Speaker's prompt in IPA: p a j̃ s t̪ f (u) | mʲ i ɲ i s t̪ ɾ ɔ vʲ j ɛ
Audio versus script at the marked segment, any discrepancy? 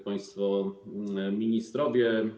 yes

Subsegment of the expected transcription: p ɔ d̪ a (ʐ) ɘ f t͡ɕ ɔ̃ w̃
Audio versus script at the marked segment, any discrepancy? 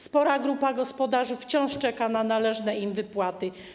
no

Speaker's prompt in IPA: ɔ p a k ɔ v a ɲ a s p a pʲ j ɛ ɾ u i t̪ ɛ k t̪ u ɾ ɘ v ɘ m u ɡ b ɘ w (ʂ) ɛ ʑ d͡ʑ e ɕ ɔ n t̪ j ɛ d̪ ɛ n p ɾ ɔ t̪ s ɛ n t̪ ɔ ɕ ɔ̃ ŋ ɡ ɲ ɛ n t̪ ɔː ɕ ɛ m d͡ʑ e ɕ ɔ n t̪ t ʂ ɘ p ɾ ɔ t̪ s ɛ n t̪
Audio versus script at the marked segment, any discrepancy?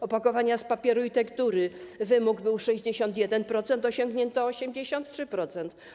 no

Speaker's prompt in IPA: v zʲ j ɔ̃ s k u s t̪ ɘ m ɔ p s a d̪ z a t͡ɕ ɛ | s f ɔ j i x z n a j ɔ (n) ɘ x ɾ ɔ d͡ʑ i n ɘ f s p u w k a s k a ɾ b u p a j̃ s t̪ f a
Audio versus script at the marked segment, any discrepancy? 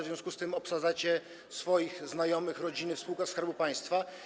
yes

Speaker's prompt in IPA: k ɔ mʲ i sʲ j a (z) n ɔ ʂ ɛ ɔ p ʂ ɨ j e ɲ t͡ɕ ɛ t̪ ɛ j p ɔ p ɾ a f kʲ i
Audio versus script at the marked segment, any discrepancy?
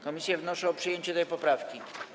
yes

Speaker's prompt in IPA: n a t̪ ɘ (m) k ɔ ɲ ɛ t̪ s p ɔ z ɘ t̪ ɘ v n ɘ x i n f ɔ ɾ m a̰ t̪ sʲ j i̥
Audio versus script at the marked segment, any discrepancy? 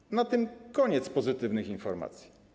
no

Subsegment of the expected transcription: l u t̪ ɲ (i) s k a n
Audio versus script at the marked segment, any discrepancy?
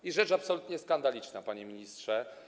yes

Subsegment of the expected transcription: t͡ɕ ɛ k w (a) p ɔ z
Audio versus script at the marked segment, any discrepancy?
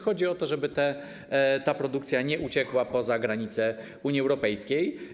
no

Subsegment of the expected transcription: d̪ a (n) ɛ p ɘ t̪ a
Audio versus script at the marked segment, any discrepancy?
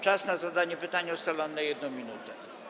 yes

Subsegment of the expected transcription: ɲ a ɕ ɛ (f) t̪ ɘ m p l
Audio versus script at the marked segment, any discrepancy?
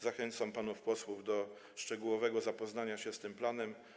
yes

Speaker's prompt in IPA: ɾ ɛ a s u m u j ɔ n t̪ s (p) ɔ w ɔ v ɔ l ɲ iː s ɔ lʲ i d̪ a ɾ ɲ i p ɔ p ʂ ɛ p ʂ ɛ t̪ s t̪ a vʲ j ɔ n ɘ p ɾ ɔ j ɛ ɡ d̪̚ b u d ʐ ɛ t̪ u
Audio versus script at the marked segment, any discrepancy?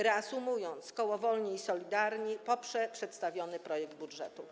yes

